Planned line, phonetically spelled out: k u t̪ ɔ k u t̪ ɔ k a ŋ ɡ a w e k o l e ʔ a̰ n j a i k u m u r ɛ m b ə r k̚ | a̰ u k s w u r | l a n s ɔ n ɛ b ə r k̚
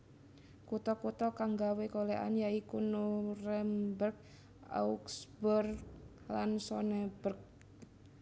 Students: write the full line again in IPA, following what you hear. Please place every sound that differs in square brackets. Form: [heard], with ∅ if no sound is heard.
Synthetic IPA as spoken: k u t̪ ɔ k u t̪ ɔ k a ŋ ɡ a w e k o l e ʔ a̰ n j a i k u [n] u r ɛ m b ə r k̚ | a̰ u k s [b] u r | l a n s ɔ n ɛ b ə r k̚